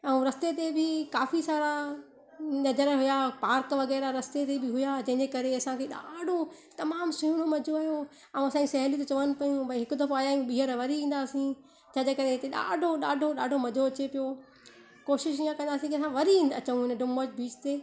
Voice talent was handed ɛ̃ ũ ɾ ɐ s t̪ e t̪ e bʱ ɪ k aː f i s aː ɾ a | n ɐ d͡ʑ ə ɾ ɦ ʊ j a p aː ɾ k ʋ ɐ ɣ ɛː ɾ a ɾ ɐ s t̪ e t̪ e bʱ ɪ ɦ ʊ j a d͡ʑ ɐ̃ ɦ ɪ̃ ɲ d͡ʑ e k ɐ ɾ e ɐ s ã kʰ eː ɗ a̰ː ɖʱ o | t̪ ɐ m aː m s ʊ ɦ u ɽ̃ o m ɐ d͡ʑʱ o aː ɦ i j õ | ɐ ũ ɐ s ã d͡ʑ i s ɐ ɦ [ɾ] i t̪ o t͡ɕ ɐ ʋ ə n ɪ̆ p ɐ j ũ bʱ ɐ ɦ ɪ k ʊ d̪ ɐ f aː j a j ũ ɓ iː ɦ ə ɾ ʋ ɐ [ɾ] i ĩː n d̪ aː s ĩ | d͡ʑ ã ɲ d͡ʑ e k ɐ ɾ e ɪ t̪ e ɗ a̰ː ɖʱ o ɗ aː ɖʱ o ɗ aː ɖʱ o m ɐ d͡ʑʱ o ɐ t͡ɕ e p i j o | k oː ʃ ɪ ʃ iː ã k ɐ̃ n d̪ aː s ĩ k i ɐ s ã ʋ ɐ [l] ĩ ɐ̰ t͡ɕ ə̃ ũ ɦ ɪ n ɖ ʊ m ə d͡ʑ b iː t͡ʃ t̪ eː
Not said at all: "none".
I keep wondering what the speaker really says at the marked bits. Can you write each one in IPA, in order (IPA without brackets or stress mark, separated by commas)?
l, ɾ, ɾ